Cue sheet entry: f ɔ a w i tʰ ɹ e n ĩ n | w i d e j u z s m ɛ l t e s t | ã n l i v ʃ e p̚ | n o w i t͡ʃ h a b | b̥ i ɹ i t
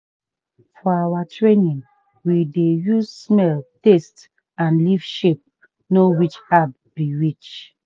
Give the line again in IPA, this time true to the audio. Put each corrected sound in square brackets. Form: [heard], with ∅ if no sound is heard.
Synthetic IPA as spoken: f ɔ a w [a] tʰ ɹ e n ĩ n | w i d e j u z s m ɛ l t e s t | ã n l i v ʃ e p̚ | n o w i t͡ʃ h a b | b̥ i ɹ i [t͡ʃ]